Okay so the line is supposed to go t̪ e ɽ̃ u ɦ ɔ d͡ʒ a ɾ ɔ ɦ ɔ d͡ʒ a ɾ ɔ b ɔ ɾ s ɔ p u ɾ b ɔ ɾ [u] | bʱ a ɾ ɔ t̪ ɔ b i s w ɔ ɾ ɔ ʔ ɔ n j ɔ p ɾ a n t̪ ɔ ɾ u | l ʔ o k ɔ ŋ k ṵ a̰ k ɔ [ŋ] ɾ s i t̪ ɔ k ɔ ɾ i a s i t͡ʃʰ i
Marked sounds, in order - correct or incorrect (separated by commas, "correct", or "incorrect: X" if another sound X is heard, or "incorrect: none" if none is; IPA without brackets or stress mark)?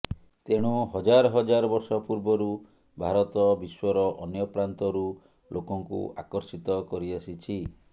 correct, incorrect: none